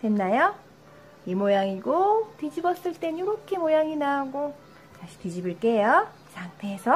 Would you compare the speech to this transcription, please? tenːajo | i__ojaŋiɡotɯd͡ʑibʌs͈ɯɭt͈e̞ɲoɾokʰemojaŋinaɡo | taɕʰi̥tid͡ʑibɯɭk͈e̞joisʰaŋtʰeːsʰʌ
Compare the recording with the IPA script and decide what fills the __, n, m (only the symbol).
m